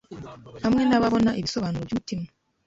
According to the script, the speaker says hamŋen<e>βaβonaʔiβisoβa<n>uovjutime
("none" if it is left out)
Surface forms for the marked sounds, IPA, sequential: a, n

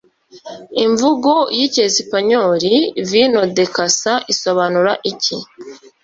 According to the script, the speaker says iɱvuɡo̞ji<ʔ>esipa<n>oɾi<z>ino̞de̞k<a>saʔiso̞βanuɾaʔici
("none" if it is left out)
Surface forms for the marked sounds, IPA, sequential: c, ɲ, v, a

